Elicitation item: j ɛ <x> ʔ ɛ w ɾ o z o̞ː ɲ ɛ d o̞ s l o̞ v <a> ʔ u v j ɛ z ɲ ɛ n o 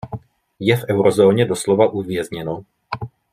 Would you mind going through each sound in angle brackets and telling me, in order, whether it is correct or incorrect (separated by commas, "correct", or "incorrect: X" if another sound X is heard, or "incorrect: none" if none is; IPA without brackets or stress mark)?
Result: incorrect: f, correct